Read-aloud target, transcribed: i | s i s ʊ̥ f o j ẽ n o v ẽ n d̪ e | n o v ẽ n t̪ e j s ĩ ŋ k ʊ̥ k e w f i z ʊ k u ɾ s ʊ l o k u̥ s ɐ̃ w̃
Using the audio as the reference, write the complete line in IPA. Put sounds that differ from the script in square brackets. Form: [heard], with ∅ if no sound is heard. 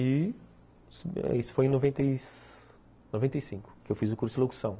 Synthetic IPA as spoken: i | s i s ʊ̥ f o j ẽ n o v ẽ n [t̪] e | n o v ẽ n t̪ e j s ĩ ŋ k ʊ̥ k e w f i z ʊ k u ɾ s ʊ l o k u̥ s ɐ̃ w̃